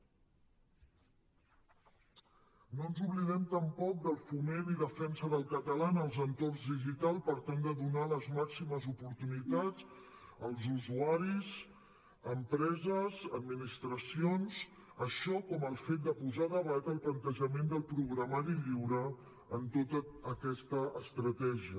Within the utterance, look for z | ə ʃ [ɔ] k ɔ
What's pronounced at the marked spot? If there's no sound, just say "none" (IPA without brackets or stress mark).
ɔ